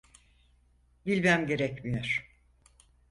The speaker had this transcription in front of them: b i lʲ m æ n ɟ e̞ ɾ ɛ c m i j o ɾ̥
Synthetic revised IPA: b i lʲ m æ m ɟ e̞ ɾ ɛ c m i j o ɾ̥